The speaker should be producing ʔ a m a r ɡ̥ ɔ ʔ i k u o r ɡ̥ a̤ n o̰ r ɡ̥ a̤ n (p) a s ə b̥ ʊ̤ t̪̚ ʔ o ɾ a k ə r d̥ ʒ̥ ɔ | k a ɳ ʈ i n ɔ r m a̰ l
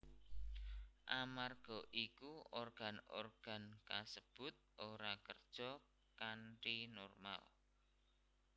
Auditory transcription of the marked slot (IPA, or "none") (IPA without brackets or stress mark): k